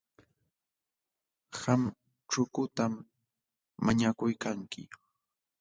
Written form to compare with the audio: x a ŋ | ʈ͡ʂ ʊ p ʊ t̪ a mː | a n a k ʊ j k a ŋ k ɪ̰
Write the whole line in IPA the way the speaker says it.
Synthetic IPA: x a m | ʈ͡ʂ ʊ k ʊ t̪ a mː | a ɲ a k ʊ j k a ŋ k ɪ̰